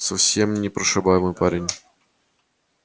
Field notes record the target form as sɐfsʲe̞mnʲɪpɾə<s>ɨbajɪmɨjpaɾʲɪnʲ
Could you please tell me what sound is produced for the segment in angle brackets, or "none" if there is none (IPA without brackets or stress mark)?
ʂ